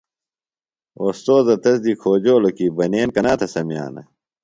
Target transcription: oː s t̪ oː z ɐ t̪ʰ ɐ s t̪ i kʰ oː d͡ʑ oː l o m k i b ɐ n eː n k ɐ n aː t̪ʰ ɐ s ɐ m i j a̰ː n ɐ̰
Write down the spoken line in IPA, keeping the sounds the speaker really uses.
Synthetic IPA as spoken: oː s t̪ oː z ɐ t̪ ɐ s d̪ i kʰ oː d͡ʑ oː l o k i b ɐ n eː n k ɐ n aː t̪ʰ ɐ s ɐ m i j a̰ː n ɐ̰